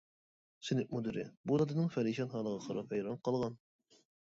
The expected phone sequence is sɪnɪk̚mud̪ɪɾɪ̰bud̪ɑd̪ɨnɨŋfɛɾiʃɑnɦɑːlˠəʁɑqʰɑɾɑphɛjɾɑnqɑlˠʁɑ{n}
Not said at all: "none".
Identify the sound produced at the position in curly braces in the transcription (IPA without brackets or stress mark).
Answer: n